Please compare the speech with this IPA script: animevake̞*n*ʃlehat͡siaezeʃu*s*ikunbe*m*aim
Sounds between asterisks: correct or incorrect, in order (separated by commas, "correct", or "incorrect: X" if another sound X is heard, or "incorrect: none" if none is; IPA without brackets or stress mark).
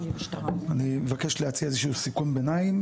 incorrect: none, correct, incorrect: n